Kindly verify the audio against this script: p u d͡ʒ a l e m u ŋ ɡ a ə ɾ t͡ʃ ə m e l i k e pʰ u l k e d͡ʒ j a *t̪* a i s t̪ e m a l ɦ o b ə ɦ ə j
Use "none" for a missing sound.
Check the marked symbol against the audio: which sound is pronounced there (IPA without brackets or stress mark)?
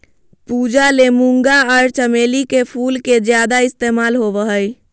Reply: d̪